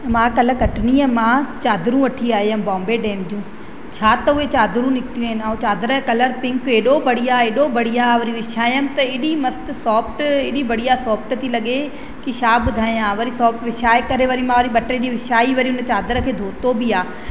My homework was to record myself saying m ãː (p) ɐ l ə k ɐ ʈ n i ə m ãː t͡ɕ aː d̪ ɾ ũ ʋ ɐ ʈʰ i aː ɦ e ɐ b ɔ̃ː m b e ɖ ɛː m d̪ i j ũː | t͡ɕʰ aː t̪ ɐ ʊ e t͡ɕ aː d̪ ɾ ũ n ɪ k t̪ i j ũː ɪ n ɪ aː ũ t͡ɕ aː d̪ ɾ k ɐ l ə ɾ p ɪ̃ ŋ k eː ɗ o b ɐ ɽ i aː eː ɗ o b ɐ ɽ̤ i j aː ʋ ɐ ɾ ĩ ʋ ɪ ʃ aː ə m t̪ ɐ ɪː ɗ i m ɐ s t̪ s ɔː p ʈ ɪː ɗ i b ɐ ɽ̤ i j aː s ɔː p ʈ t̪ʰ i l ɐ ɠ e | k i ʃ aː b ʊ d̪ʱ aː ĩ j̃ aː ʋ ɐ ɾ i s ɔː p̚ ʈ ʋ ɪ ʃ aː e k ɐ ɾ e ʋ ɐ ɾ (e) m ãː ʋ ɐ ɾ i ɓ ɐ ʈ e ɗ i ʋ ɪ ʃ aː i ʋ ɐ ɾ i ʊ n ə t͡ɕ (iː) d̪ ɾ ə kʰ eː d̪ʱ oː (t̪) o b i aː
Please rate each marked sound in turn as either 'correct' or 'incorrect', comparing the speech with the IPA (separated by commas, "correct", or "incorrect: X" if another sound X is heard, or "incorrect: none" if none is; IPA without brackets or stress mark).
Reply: incorrect: k, incorrect: i, incorrect: aː, correct